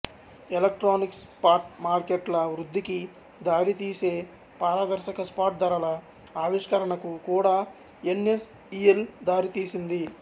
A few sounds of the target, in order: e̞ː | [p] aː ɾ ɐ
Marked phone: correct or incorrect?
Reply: correct